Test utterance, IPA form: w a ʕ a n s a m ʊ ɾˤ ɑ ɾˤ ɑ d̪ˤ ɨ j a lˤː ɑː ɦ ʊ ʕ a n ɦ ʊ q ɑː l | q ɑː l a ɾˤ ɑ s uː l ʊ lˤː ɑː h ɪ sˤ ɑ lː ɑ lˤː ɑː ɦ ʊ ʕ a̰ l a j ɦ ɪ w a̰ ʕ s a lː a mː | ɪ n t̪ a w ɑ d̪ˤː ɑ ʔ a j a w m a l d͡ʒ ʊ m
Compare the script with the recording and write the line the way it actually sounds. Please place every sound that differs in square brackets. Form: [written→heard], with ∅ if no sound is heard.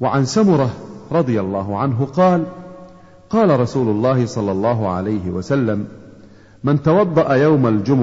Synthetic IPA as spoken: w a ʕ a n s a m ʊ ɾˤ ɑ ɾˤ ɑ d̪ˤ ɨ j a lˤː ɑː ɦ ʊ ʕ a n ɦ ʊ q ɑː l | q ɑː l a ɾˤ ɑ s uː l ʊ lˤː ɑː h ɪ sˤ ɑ lː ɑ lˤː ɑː ɦ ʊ ʕ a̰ l a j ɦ ɪ w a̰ [ʕ→∅] s a lː a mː | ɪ n t̪ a w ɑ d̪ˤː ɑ ʔ a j a w m a l d͡ʒ ʊ m